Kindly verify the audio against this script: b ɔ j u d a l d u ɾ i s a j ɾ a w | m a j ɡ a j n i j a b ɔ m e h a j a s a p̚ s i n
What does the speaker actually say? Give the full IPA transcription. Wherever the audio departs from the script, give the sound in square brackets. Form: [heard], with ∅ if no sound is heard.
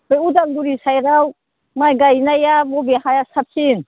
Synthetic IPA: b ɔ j u d a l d u ɾ i s a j ɾ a w | m a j ɡ a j n [a] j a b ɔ [b] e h a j a s a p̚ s i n